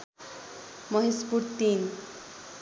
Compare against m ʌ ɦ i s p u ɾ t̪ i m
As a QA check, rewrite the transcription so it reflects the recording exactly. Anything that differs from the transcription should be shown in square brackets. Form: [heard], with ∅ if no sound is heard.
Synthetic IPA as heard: m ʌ ɦ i s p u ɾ t̪ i [n]

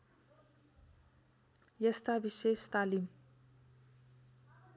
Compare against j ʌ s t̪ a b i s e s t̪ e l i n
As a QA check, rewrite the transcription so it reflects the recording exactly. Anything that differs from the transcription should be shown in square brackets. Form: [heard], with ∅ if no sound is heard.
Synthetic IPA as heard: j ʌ s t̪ a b i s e s t̪ [a] l i [m]

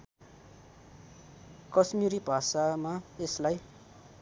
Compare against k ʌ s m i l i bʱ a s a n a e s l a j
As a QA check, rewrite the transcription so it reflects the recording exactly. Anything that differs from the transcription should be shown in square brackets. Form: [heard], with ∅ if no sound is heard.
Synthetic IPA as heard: k ʌ s m i [ɾ] i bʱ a s a [m] a e s l a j

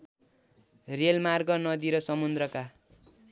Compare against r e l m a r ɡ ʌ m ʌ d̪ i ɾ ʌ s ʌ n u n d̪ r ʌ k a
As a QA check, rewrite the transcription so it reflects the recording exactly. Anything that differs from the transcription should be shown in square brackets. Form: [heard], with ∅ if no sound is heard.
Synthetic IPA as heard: r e l m a r ɡ ʌ [n] ʌ d̪ i ɾ ʌ s ʌ [m] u n d̪ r ʌ k a

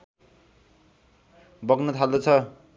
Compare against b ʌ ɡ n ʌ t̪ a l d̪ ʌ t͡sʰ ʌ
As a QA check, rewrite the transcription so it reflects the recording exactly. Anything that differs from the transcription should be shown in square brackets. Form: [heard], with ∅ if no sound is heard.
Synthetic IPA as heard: b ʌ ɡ n ʌ [t̪ʰ] a l d̪ ʌ t͡sʰ ʌ

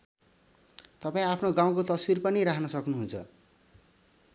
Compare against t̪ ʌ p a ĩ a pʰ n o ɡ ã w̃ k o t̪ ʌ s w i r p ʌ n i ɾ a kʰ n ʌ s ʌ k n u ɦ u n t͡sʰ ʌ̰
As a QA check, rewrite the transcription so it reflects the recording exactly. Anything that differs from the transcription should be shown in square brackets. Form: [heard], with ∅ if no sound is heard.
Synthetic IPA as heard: t̪ ʌ p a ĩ a pʰ n o ɡ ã w̃ k o t̪ ʌ s w i r p ʌ n i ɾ a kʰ n ʌ s ʌ k n u ɦ u n t͡sʰ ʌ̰

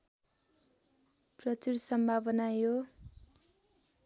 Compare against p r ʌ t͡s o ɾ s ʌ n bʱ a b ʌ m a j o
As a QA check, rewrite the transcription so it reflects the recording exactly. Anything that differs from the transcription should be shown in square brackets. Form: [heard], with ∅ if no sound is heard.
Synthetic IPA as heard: p r ʌ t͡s [u] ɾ s ʌ [m] bʱ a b ʌ [n] a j o

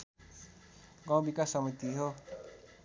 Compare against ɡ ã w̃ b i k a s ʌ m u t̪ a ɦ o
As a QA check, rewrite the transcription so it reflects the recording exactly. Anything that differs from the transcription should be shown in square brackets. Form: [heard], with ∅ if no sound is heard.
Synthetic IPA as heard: ɡ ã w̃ b i k a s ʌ m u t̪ [i] ɦ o

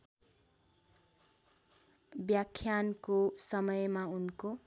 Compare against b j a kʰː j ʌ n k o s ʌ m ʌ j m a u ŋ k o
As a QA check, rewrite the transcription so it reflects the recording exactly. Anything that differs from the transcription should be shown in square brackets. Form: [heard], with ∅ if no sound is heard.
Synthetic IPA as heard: b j a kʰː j [a] n k o s ʌ m ʌ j m a u [n] k o

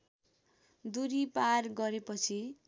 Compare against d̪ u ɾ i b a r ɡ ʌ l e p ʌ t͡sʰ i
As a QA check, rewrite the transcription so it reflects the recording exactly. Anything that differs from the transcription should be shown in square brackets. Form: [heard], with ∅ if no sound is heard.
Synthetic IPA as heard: d̪ u ɾ i [p] a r ɡ ʌ [ɾ] e p ʌ t͡sʰ i

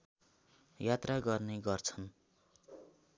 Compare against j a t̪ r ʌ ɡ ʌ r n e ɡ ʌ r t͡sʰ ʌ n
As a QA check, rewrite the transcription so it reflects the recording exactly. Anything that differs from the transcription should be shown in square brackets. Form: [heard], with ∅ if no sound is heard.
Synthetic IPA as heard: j a t̪ r [a] ɡ ʌ r n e ɡ ʌ r t͡sʰ ʌ n

